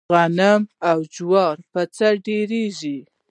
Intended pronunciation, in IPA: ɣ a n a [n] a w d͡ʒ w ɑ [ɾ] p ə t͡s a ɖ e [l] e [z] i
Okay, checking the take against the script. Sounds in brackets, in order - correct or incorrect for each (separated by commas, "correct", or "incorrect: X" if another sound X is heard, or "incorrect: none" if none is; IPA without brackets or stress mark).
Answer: incorrect: m, correct, incorrect: ɾ, incorrect: ʒ